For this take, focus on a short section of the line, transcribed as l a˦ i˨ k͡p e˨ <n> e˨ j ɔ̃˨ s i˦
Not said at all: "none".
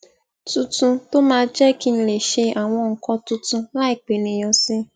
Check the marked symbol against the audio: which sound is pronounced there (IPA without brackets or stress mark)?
n